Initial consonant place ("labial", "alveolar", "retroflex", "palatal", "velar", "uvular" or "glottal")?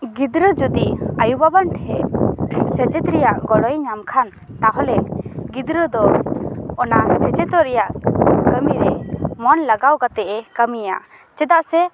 velar